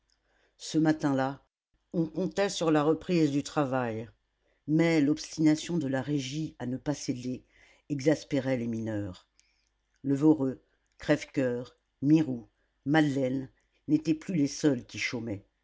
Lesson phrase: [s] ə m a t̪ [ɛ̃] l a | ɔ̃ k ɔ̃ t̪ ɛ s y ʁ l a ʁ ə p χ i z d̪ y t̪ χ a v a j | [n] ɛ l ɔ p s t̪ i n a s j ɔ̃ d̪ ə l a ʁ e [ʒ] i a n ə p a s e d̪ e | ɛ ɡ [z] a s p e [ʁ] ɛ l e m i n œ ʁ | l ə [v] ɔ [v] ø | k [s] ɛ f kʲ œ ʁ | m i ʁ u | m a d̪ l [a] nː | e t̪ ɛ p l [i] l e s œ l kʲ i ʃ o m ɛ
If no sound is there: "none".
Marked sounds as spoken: s, ɛ̃, m, ʒ, z, ʁ, v, ʁ, χ, ɛ, y

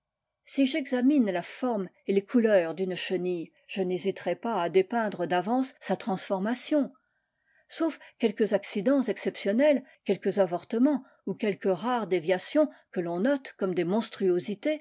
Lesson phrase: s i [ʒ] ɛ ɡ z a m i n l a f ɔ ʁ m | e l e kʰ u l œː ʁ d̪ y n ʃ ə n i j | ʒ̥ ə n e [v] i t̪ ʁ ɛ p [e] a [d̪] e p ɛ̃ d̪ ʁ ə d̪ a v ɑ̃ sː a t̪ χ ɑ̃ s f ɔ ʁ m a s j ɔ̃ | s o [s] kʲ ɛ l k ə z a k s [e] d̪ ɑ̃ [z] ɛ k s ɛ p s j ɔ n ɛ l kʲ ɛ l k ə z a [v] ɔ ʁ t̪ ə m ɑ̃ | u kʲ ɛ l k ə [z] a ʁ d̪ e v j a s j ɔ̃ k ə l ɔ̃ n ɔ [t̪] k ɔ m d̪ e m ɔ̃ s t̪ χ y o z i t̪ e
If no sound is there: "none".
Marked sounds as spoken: ʒ, z, a, d̪, f, i, z, v, ʁ, t̪

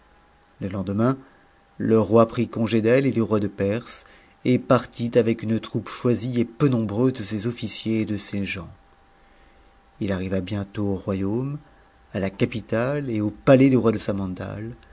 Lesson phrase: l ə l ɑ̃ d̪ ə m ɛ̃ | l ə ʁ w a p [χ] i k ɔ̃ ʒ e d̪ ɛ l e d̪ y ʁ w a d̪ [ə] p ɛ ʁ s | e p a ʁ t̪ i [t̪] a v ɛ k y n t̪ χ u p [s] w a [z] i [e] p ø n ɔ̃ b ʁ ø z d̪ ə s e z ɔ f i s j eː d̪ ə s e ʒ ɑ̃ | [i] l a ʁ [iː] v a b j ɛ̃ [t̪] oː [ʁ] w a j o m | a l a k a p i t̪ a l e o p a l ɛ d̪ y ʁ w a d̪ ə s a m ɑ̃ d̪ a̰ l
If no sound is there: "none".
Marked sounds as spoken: χ, ə, t̪, ʃ, z, e, i, i, t̪, ʁ

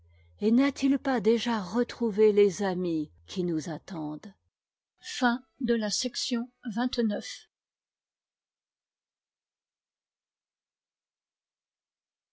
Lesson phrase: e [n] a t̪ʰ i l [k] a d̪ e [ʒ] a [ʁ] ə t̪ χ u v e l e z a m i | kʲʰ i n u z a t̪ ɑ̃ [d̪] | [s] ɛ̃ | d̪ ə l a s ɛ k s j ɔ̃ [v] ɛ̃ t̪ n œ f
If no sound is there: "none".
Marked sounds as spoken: n, p, ʒ, ʁ, d̪, f, v

